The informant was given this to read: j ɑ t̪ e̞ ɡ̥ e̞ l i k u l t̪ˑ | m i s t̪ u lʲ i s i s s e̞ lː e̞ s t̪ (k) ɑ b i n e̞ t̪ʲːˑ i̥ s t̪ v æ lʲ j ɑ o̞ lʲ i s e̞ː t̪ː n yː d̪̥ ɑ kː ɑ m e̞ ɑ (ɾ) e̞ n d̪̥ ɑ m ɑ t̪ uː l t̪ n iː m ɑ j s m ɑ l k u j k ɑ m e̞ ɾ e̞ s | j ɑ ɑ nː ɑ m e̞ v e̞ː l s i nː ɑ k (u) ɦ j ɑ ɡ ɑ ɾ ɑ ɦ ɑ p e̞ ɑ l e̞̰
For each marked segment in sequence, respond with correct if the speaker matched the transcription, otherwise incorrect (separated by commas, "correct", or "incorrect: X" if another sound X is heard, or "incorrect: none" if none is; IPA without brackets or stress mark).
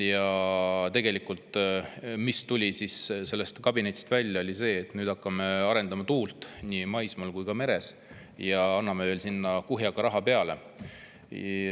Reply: correct, correct, correct